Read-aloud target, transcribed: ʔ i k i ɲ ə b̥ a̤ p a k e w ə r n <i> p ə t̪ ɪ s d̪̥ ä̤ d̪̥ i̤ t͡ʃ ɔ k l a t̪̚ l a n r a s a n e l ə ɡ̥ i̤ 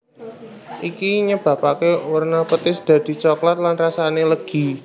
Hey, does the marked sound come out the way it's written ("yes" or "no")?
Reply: no